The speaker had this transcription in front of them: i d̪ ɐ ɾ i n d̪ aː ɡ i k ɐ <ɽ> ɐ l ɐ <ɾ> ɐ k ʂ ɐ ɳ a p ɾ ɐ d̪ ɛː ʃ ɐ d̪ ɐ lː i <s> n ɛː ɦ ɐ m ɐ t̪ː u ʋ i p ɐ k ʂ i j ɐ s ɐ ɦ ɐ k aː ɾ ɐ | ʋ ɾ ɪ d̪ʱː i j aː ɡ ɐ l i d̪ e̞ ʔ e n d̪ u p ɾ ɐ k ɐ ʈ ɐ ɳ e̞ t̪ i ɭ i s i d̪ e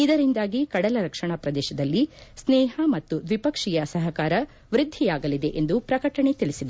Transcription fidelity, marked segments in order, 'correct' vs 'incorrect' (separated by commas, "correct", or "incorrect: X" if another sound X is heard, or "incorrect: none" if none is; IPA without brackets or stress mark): correct, correct, correct